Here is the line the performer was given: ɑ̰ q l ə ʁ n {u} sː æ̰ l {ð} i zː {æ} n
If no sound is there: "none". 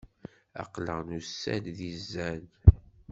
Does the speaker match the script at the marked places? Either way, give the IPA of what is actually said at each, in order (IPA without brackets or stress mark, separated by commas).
u, ð, æ